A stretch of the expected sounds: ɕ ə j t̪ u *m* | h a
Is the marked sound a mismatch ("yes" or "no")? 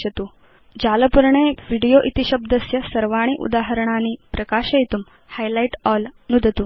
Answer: no